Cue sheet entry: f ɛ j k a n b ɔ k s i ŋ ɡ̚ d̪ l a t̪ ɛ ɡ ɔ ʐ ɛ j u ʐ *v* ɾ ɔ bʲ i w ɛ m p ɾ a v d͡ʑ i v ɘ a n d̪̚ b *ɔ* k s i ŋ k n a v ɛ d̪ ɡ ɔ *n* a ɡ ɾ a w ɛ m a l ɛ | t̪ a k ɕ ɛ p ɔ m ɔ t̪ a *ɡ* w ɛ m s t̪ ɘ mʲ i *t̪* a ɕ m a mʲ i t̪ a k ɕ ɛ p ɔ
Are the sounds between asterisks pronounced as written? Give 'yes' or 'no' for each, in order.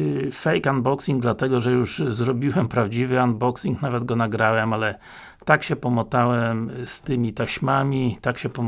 no, yes, yes, no, yes

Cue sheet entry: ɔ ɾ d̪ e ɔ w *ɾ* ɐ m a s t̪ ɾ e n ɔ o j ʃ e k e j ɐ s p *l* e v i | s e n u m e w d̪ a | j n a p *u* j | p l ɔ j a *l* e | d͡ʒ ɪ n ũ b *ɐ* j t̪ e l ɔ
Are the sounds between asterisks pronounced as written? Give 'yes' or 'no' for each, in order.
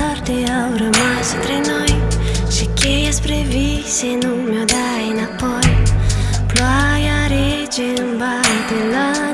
yes, no, no, no, no

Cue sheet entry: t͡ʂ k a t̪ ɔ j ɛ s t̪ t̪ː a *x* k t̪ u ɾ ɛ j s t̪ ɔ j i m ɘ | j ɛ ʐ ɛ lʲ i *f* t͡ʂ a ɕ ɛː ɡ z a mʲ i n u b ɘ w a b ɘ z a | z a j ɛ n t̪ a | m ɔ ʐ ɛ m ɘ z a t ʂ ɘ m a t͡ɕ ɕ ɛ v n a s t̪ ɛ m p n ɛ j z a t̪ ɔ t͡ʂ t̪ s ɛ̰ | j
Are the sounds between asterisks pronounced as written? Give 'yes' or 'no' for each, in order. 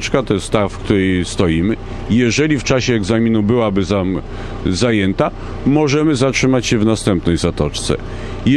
no, yes

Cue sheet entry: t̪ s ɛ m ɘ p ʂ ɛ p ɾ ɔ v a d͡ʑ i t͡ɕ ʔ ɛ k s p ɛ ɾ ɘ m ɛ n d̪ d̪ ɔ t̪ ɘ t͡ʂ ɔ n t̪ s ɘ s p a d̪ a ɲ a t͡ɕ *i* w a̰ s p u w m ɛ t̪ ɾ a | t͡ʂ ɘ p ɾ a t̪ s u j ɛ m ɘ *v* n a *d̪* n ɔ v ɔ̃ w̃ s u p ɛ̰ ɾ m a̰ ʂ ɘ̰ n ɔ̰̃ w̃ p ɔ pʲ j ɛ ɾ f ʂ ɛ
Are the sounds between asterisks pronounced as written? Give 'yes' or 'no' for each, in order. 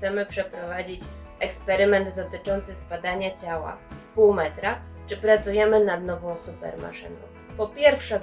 no, no, yes

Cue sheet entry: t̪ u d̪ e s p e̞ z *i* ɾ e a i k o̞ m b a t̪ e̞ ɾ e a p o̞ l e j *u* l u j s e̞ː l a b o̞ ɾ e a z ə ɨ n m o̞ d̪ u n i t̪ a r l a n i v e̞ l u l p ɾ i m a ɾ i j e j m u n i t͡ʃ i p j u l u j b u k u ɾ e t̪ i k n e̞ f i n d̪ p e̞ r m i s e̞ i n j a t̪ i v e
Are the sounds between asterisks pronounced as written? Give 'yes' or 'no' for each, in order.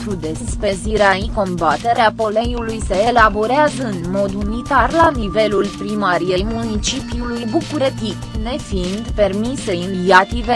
yes, yes

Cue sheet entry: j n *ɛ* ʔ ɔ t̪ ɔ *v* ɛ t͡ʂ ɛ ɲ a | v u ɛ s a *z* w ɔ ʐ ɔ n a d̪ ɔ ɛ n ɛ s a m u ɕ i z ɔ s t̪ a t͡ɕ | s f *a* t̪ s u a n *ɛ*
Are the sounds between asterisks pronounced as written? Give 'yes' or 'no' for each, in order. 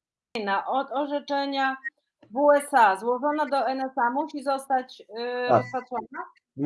no, no, yes, yes, no

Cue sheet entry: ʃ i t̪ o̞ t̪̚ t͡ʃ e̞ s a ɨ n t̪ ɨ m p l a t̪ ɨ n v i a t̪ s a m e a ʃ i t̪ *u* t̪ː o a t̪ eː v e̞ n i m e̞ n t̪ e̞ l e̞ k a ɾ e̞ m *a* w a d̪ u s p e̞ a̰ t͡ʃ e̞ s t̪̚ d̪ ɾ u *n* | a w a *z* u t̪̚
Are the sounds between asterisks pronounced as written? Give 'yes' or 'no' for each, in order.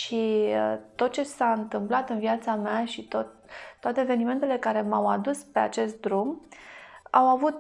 no, yes, no, no

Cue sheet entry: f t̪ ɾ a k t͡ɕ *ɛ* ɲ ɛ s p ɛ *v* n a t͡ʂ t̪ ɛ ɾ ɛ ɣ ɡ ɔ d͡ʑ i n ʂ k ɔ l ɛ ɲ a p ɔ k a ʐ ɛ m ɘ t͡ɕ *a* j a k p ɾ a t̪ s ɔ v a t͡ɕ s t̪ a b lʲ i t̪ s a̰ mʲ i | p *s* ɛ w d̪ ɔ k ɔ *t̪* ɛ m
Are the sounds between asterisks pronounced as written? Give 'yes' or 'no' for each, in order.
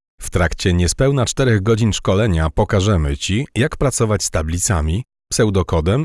yes, no, no, yes, no

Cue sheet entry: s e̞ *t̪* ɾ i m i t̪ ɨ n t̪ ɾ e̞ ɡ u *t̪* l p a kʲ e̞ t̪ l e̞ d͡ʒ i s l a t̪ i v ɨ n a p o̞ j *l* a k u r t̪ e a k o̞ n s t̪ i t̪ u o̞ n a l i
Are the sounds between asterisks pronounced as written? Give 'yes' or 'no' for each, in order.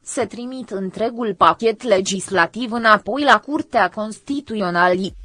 yes, no, yes

